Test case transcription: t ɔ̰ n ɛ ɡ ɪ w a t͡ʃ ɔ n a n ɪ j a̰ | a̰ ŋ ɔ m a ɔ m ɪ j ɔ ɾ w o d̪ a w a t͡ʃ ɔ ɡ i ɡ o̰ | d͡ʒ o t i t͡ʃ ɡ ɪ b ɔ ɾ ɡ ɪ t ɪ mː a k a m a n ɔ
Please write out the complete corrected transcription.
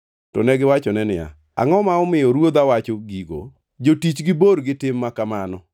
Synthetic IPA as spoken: t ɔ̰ n ɛ ɡ ɪ w a t͡ʃ ɔ n ɛ n ɪ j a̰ | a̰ ŋ ɔ m a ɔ m ɪ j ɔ ɾ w o d̪ a w a t͡ʃ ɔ ɡ i ɡ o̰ | d͡ʒ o t i t͡ʃ ɡ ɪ b o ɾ ɡ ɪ t ɪ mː a k a m a n ɔ